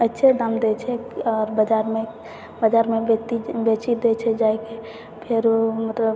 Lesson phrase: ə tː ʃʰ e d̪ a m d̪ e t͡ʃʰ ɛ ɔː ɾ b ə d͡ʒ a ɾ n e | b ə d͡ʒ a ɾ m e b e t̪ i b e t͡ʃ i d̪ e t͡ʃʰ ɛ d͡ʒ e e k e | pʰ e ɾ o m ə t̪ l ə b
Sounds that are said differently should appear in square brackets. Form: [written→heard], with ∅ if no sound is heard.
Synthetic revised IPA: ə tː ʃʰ e d̪ a m d̪ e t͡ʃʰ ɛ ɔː ɾ b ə d͡ʒ a ɾ [n→m] e | b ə d͡ʒ a ɾ m e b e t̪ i b e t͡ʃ i d̪ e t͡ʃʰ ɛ d͡ʒ [e→a] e k e | pʰ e ɾ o m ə t̪ l ə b